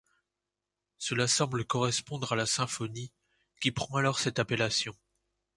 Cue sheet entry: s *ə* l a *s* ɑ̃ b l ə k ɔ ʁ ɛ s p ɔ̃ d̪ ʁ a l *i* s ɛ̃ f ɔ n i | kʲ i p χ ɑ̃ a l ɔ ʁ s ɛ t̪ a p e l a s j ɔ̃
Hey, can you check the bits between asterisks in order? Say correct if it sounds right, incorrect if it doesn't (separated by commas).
correct, correct, incorrect